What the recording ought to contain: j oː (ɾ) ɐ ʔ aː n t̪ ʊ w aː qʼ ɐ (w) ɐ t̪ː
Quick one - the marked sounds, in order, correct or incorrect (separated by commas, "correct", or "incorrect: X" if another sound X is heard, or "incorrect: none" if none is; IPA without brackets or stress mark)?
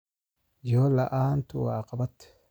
incorrect: l, incorrect: b